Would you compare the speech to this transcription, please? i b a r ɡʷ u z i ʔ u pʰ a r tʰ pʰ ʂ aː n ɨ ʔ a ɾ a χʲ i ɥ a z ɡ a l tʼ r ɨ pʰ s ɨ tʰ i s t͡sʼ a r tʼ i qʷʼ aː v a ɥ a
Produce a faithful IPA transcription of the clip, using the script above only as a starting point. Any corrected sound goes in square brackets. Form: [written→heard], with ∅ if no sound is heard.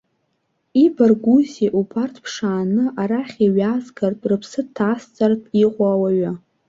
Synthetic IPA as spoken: i b a r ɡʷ u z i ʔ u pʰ a r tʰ pʰ ʂ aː n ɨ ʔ a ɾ a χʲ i ɥ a z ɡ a [l→r] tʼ r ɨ pʰ s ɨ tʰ [i→a] s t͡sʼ a r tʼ i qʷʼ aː [v→w] a ɥ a